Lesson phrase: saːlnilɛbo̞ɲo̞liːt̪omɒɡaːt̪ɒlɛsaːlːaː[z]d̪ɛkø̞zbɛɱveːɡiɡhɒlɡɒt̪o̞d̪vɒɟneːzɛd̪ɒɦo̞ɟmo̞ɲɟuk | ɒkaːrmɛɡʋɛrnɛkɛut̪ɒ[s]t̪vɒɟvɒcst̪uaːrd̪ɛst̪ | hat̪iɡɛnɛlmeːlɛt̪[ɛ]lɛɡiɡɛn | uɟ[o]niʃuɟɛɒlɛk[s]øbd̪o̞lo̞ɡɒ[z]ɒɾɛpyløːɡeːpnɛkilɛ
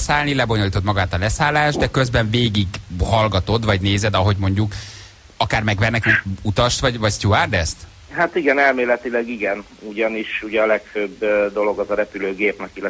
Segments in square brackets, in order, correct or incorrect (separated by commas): incorrect, incorrect, incorrect, incorrect, incorrect, correct